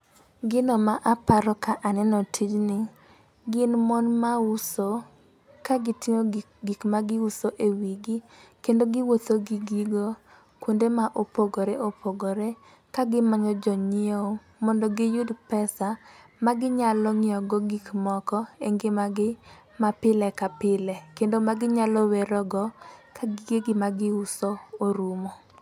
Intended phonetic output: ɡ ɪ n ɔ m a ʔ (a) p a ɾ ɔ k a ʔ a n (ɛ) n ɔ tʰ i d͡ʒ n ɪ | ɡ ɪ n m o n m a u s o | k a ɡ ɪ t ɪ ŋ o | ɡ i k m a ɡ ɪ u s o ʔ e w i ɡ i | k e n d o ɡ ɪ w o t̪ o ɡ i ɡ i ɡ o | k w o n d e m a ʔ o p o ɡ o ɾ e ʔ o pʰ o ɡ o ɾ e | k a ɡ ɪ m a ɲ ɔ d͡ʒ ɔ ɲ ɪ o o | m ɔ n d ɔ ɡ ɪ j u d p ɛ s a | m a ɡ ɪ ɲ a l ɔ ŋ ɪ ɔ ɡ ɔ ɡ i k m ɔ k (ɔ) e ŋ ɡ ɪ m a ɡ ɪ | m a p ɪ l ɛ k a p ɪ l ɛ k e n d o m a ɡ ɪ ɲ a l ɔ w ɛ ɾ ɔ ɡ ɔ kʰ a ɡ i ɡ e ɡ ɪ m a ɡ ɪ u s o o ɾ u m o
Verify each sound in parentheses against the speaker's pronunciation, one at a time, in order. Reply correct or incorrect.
correct, correct, correct

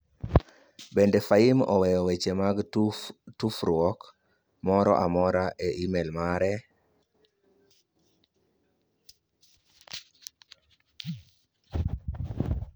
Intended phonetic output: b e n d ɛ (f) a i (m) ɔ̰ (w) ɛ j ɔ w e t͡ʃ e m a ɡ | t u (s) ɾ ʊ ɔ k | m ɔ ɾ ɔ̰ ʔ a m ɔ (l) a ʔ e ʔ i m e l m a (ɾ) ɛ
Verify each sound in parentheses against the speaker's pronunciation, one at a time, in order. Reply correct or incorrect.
correct, correct, correct, incorrect, incorrect, correct

